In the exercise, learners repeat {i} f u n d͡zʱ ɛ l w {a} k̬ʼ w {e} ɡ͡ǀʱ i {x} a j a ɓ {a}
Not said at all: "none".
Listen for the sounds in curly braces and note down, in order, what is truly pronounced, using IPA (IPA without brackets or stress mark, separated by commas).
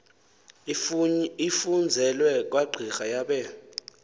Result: i, ɛ, a, x, ɛ